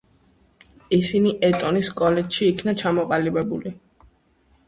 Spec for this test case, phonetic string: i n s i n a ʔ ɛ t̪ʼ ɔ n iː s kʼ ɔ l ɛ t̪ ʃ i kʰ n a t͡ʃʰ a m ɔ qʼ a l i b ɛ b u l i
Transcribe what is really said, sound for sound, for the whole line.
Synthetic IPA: i s i n i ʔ ɛ t̪ʼ ɔ n i s kʼ ɔ l ɛ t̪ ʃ iː kʰ n a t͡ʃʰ a m ɔ qʼ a l i b ɛ b u l i